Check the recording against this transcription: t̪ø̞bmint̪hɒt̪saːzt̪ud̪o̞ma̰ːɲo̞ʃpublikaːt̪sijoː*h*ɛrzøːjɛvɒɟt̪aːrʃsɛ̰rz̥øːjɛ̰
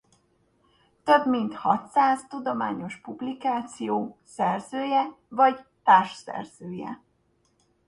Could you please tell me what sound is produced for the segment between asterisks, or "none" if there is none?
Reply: s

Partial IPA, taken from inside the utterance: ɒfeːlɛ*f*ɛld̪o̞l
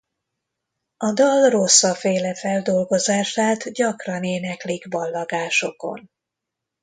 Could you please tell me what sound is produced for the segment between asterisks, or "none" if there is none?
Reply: f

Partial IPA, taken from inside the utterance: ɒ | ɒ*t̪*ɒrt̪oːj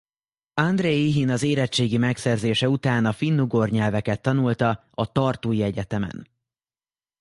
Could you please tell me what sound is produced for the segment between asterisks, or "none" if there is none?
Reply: t̪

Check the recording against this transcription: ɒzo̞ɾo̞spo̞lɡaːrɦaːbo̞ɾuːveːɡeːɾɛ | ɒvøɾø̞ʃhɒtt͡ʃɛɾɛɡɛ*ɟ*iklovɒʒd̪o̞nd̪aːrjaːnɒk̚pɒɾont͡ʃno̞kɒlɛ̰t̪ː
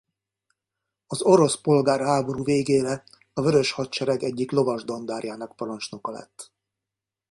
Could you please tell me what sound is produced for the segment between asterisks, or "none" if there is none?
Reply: ɟː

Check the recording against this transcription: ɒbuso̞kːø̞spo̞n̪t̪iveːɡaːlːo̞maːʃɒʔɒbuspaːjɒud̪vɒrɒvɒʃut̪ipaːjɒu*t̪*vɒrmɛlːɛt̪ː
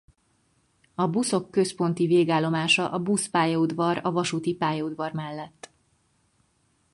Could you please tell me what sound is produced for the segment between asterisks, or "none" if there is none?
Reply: d̪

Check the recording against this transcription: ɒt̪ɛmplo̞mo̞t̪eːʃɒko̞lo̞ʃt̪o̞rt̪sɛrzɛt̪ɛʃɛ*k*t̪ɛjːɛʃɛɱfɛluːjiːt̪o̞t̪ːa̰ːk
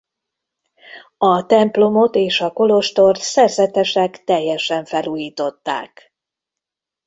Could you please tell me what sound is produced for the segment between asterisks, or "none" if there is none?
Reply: k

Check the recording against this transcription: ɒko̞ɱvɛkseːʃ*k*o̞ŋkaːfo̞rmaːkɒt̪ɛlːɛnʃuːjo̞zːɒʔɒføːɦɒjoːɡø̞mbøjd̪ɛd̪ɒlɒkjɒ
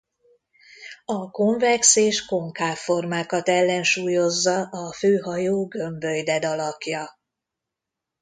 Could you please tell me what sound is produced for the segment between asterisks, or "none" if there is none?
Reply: k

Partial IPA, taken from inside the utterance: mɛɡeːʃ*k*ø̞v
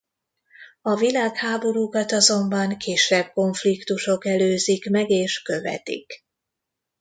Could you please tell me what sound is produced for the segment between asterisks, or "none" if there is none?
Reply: k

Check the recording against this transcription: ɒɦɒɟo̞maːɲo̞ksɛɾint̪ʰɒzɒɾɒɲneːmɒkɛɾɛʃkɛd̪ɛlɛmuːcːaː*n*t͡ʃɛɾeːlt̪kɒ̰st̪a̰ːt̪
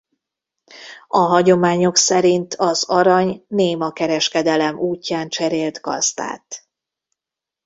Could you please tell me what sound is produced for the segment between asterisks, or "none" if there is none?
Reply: n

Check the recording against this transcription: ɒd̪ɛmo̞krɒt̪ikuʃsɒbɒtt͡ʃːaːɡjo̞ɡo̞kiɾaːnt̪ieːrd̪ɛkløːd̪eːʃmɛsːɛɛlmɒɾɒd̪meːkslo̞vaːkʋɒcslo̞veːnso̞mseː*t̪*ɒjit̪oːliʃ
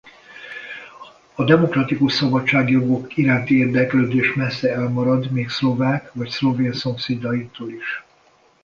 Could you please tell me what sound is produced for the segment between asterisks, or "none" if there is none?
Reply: d̪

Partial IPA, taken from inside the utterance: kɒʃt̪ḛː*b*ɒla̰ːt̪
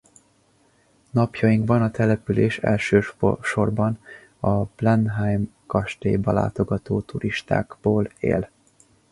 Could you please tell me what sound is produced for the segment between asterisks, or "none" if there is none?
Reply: b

